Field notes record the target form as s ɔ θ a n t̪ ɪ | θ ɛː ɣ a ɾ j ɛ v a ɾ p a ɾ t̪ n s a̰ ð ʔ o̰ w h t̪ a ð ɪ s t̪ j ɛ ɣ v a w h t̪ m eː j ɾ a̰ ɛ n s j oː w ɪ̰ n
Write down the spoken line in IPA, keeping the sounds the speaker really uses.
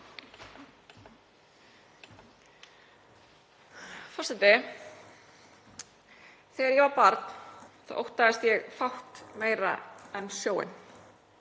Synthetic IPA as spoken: f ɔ s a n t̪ ɪ | θ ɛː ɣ a ɾ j ɛ v a ɾ p a ɾ t̪ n θ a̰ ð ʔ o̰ w h t̪ a ð ɪ s t̪ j ɛ ɣ f a w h t̪ m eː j ɾ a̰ ɛ n s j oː w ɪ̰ n